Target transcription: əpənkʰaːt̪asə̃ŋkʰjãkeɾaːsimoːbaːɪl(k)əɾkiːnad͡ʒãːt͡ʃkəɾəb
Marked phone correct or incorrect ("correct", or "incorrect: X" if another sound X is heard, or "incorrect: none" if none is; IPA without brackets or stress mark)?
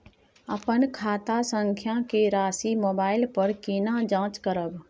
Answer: incorrect: p